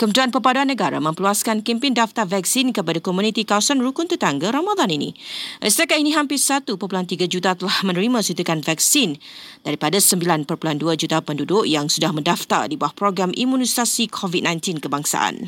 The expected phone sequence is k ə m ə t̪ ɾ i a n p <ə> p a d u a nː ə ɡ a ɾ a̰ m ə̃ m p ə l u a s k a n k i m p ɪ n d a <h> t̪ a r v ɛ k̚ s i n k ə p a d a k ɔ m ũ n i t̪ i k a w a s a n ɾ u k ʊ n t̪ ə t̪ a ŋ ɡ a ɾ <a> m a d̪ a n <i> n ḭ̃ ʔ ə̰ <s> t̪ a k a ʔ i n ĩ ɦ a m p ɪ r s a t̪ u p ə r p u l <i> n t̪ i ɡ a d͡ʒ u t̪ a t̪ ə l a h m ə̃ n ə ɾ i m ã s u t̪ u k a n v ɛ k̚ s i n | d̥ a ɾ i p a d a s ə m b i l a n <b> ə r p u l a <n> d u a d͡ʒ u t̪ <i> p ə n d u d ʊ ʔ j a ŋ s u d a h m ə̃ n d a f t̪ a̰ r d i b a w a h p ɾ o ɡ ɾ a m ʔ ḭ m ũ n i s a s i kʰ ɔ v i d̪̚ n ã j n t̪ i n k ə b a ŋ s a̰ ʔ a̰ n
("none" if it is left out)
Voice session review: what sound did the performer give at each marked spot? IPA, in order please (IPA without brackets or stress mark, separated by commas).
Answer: ə, f, a, i, s, a, p, n, a